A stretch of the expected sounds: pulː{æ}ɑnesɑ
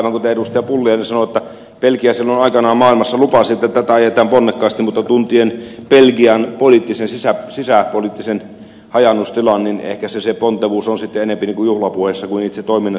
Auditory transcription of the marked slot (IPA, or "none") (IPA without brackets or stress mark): i